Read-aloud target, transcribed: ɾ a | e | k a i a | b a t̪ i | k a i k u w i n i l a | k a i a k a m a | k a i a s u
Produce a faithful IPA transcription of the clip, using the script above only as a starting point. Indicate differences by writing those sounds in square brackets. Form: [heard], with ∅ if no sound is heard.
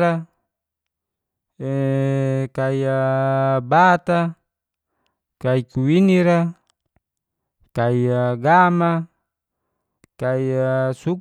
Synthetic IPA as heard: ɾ a | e | k a i a | b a t̪ [a] | k a i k u w i n i [ɾ] a | k a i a [ɡ] a m a | k a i a s u